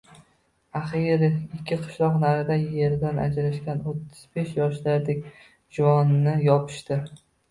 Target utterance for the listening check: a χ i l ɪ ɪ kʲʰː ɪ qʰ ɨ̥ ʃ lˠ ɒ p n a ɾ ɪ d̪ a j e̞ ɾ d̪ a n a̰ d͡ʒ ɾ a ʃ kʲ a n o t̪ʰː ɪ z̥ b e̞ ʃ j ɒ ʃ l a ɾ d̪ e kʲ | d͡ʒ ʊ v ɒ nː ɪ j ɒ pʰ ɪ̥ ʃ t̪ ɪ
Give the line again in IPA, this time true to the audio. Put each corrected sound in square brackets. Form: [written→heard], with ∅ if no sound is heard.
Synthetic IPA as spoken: a χ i [l→ɾ] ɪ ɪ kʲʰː ɪ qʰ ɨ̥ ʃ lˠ ɒ [p→q] n a ɾ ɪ d̪ a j e̞ ɾ d̪ a n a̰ d͡ʒ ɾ a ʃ kʲ a n o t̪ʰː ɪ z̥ b e̞ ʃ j ɒ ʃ l a ɾ d̪ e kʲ | d͡ʒ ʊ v ɒ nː ɪ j ɒ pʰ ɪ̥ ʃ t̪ ɪ

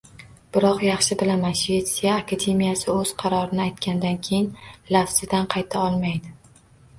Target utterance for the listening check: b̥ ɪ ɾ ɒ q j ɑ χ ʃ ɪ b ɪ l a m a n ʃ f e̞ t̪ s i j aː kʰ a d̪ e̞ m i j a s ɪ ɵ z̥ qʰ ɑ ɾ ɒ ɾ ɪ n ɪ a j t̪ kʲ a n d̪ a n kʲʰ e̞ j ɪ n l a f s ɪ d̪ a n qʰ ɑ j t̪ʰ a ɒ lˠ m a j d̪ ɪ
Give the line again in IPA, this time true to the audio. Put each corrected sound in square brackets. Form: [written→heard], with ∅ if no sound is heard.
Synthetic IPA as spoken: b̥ ɪ ɾ ɒ q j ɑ χ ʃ ɪ b ɪ l a m a n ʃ [f→v] e̞ t̪ s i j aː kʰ a d̪ e̞ m i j a s ɪ ɵ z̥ qʰ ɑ ɾ ɒ ɾ ɪ n ɪ a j t̪ kʲ a n d̪ a n kʲʰ e̞ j ɪ n l a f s ɪ d̪ a n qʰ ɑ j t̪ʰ a ɒ lˠ m a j d̪ ɪ

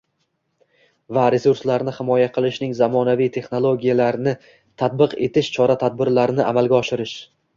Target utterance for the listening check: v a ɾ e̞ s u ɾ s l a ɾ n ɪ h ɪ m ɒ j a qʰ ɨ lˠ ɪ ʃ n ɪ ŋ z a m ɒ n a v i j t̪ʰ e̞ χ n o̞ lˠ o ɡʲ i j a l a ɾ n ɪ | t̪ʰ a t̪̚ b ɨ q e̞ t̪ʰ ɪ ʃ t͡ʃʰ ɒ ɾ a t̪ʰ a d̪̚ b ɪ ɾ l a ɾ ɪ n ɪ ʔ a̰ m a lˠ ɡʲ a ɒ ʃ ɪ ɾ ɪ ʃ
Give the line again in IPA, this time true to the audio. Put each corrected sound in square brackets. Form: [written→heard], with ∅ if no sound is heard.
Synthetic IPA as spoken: v a ɾ e̞ s u ɾ s l a ɾ n ɪ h ɪ m ɒ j a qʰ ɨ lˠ ɪ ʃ n ɪ ŋ z a m ɒ n a v i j t̪ʰ e̞ χ n o̞ lˠ o ɡʲ i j a l a ɾ n ɪ | t̪ʰ a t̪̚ b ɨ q e̞ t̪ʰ ɪ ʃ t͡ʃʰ ɒ ɾ a t̪ʰ a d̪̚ b ɪ ɾ l a ɾ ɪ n ɪ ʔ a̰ m a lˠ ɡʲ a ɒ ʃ ɪ ɾ ɪ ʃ

